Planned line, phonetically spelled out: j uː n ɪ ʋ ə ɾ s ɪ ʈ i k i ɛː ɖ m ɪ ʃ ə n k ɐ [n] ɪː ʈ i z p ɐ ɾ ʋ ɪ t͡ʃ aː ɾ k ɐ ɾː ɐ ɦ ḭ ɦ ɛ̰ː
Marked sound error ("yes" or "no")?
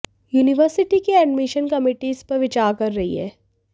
yes